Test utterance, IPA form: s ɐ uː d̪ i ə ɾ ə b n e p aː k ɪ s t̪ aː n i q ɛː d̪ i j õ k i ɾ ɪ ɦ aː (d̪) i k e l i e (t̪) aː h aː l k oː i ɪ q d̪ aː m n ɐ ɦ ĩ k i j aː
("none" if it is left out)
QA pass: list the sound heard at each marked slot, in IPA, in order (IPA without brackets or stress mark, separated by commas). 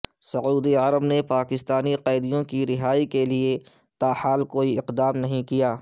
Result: none, t̪